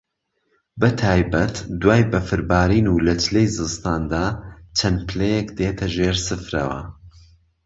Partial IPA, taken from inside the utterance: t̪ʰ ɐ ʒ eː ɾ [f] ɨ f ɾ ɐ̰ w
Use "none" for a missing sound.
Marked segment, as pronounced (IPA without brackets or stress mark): s